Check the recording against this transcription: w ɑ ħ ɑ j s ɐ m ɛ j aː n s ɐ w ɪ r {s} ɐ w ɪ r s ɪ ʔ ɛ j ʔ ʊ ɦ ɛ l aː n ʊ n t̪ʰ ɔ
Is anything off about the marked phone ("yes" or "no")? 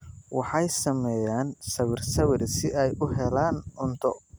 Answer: no